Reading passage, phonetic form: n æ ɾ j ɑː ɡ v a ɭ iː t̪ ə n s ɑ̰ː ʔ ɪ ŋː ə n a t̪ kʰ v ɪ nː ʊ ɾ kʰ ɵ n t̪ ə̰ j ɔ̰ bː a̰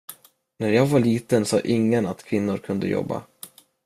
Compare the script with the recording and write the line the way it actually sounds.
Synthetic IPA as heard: n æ ɾ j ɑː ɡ v a ɭ iː t̪ ə n s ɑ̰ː ʔ ɪ ŋː ə n a t̪ kʰ v ɪ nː ʊ ɾ kʰ ɵ n d̪ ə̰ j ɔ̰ bː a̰

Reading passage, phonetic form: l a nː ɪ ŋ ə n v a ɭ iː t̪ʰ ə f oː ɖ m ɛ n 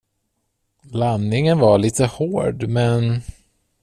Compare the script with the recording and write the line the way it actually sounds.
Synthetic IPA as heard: l a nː ɪ ŋ ə n v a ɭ iː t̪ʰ ə h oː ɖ m ɛ n

